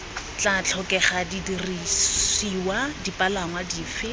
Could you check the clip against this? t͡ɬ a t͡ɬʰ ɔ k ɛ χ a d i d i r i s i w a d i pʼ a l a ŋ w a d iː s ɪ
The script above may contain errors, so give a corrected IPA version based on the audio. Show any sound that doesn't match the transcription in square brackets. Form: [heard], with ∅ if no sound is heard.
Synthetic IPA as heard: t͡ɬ a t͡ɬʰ ɔ k ɛ χ a d i d i r i s i w a d i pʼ a l a ŋ w a d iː [f] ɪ